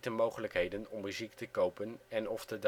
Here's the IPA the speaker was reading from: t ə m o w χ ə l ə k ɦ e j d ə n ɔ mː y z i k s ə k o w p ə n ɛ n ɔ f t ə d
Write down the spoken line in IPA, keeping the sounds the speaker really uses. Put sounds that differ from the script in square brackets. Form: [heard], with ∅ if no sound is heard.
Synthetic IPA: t ə m o w χ ə l ə k ɦ e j d ə n ɔ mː y z i k [t] ə k o w p ə n ɛ n ɔ f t ə d